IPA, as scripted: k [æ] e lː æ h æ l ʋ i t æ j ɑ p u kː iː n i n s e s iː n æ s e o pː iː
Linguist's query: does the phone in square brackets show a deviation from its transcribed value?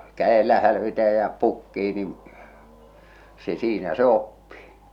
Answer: no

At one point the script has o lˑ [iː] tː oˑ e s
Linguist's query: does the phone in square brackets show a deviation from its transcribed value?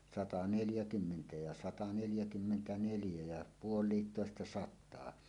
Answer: no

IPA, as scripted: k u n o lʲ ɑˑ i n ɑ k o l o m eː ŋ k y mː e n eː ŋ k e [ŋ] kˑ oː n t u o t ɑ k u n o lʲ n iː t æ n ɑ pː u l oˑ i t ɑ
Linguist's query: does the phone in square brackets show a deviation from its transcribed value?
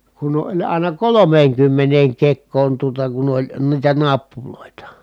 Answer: yes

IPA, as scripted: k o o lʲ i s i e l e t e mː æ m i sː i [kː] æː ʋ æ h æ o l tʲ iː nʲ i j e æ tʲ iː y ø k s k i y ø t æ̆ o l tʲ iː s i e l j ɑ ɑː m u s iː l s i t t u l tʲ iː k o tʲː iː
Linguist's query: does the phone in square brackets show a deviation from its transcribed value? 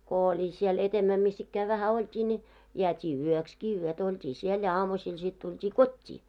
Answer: no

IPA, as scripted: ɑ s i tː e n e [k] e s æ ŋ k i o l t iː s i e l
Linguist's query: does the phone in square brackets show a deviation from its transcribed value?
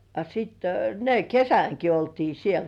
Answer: no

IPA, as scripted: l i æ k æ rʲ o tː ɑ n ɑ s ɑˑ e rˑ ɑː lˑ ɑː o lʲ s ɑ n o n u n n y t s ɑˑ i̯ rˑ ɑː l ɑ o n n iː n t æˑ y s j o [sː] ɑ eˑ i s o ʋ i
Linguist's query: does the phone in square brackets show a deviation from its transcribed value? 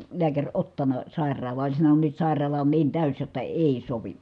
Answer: yes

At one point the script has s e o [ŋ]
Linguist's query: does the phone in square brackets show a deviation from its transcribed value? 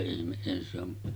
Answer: yes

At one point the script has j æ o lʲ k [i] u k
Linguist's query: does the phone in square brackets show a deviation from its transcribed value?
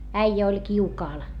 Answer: no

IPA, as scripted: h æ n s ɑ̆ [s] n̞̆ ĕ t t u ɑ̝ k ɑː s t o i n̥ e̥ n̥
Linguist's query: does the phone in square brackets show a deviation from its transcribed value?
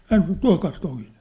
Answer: yes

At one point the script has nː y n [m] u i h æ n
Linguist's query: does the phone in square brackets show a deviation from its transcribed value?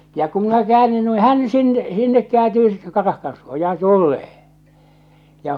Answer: yes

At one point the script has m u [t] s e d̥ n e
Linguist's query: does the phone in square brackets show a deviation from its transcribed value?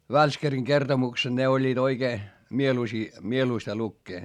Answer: yes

